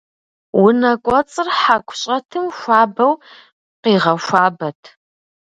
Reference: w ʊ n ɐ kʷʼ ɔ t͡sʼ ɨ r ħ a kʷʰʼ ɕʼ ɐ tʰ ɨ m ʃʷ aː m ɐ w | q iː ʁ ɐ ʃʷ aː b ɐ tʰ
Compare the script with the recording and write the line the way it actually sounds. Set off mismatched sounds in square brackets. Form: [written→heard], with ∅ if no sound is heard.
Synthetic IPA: w ʊ n ɐ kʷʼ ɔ t͡sʼ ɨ r ħ a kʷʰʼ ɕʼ ɐ tʰ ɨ m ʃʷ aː [m→b] ɐ w | q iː ʁ ɐ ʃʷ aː b ɐ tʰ